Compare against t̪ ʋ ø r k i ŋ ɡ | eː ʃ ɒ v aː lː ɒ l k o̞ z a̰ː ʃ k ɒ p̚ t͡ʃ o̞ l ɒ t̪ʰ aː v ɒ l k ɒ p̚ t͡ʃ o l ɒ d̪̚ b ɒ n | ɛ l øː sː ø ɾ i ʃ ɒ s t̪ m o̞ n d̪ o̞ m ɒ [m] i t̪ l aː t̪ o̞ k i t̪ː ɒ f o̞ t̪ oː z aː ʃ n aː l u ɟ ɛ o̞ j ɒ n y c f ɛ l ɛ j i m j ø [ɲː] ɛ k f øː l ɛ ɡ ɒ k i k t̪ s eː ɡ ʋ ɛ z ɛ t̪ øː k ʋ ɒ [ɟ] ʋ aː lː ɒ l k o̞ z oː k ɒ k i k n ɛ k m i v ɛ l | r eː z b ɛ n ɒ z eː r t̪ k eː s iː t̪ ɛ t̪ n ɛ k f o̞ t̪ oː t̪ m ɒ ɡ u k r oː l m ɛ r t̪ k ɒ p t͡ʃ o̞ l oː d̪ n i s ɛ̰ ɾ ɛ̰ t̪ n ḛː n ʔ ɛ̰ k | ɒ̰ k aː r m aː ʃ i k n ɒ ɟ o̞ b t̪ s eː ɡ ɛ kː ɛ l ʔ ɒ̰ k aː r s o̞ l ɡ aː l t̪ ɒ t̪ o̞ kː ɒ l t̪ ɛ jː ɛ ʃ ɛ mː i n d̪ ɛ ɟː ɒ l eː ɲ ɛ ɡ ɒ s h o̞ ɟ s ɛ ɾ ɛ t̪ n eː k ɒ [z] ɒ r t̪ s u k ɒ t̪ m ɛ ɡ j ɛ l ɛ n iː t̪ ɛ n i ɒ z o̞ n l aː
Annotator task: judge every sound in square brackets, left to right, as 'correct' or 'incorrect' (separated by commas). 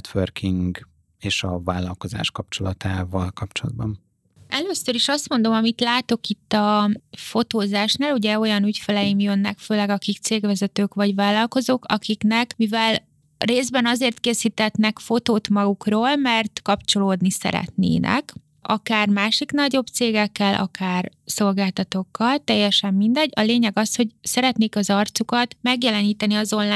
correct, incorrect, correct, correct